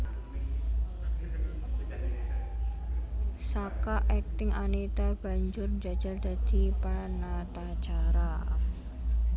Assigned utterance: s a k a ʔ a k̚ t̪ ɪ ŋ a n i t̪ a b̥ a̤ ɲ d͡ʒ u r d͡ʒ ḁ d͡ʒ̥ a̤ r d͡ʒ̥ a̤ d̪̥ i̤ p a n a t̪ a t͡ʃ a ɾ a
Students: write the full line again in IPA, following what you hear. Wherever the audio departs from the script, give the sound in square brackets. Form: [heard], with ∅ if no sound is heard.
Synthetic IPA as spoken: s a k a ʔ [ɛ] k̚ t̪ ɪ ŋ a n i t̪ a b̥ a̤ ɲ d͡ʒ [ʊ] r d͡ʒ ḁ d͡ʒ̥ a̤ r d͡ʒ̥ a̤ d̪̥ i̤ p a n a t̪ a t͡ʃ a ɾ a